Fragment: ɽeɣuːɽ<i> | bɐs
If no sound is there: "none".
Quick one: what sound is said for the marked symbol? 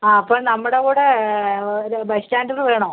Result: e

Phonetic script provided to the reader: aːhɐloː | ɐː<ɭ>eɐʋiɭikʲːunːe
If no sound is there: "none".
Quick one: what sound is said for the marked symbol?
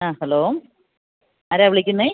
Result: ɾ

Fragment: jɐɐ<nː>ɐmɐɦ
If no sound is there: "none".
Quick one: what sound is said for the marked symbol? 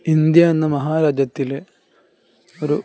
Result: nː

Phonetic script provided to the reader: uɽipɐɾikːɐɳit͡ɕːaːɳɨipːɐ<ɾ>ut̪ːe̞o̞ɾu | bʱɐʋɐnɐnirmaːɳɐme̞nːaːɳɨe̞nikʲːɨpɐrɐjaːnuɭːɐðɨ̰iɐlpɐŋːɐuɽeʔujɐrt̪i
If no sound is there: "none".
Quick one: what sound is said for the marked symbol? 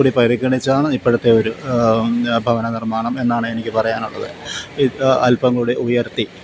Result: ɽ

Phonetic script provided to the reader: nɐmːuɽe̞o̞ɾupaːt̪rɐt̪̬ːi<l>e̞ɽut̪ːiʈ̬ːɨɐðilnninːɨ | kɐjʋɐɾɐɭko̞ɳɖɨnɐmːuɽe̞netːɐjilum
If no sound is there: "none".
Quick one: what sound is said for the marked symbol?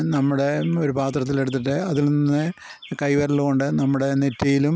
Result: l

